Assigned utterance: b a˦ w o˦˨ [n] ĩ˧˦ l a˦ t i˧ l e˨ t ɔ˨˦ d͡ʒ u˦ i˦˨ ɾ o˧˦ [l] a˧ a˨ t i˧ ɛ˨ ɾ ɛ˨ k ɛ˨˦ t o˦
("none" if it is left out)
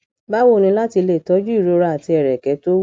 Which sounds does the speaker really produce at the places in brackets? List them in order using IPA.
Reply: n, ɾ

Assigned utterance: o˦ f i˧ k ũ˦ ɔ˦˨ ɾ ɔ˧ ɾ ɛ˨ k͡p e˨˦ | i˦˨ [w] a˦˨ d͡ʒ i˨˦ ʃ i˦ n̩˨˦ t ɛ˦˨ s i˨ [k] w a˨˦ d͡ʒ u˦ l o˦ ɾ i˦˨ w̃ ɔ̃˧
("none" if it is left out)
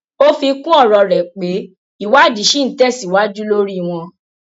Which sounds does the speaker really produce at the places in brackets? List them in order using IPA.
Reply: w, none

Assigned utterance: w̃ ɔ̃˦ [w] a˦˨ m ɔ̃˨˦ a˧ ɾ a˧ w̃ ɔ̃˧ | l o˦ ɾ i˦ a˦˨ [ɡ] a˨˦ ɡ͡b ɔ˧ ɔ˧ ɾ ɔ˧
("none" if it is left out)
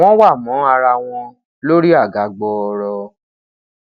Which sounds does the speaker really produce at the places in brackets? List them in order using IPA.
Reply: w, ɡ

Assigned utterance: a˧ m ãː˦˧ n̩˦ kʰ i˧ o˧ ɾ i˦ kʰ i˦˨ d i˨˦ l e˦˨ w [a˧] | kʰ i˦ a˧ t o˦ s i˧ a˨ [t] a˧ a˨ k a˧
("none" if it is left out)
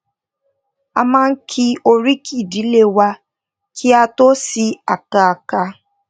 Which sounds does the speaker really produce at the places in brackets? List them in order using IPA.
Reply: a˧, k

